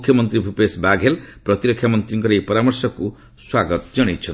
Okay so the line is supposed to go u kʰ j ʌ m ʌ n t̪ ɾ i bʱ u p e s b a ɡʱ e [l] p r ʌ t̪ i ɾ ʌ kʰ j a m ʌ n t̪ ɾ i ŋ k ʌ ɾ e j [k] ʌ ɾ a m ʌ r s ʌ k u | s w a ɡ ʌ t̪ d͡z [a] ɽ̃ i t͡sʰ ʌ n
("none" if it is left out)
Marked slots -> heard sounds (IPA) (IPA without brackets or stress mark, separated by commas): l, p, ʌ